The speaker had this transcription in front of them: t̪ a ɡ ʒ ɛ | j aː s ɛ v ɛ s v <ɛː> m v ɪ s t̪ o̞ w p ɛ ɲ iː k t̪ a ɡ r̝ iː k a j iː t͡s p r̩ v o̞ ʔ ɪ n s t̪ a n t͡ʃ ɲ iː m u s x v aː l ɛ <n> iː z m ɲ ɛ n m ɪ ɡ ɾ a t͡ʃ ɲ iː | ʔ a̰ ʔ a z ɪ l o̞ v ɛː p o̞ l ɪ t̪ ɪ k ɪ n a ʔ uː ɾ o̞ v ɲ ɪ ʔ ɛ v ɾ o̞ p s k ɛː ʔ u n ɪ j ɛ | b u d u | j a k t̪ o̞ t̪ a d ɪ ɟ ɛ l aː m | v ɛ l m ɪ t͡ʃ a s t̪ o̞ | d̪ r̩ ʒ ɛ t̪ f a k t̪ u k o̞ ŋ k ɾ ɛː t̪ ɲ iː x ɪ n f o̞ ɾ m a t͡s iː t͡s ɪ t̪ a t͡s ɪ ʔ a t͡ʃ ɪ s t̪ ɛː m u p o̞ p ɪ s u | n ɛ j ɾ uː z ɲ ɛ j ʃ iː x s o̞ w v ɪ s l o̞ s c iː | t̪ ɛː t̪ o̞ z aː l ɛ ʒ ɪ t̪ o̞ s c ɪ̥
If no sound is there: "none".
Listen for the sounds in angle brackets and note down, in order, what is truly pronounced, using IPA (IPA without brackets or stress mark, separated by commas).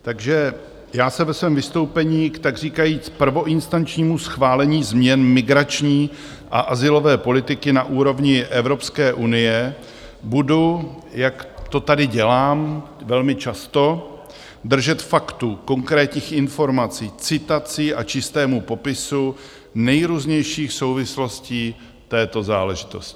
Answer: ɛː, ɲ